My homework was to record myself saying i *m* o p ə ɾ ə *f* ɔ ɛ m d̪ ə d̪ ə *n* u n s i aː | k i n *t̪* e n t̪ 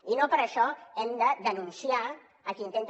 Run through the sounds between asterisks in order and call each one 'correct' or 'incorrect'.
incorrect, incorrect, correct, correct

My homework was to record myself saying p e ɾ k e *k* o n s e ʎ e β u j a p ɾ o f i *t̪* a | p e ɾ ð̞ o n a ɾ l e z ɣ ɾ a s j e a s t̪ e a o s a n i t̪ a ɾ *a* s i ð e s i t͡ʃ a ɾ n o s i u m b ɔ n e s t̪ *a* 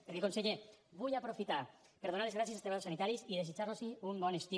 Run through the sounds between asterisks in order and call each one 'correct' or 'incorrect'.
correct, correct, incorrect, incorrect

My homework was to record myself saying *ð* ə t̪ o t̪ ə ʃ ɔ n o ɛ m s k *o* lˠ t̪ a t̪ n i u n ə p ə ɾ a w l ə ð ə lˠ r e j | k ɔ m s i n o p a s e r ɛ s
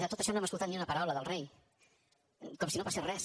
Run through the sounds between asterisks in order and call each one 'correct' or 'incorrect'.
correct, incorrect

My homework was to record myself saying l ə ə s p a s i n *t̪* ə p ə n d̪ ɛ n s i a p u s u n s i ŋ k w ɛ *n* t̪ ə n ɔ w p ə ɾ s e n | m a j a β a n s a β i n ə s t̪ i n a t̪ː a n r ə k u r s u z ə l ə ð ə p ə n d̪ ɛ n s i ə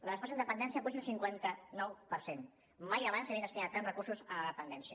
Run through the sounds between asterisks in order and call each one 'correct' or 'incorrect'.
incorrect, correct

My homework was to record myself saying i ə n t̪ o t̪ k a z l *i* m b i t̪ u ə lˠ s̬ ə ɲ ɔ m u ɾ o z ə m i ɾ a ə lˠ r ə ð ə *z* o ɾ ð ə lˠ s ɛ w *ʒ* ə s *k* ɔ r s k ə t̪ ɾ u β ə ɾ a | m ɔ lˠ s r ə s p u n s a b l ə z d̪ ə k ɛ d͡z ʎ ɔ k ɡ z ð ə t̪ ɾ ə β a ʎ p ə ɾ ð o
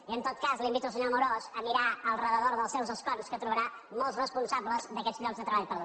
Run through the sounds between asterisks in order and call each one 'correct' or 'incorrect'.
correct, incorrect, incorrect, correct

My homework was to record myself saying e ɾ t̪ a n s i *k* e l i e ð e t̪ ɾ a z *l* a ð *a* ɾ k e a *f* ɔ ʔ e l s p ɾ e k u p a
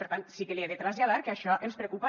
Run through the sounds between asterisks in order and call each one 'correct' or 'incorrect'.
correct, incorrect, correct, incorrect

